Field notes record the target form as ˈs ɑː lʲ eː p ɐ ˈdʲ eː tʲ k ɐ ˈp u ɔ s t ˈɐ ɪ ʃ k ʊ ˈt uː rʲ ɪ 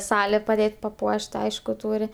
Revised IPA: ˈs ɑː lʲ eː p ɐ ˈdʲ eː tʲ p ɐ ˈp u ɔ ʃ t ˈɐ ɪ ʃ k ʊ ˈt uː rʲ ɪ